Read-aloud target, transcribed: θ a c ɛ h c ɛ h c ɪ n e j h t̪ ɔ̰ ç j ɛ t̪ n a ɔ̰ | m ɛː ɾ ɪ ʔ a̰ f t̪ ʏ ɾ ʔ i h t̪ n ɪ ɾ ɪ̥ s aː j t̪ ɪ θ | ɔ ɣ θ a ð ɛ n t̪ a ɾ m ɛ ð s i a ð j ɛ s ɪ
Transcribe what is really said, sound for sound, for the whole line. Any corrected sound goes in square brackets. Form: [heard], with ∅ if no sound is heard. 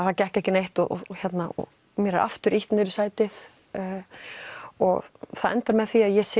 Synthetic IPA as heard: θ a c ɛ h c ɛ h c ɪ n e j h t̪ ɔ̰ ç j ɛ t̪ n a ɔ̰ | m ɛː ɾ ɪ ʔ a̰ f t̪ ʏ ɾ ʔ i h t̪ n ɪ ɾ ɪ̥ s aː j t̪ ɪ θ | ɔ ɣ θ a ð ɛ n t̪ a ɾ m ɛ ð [θ] i a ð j ɛ s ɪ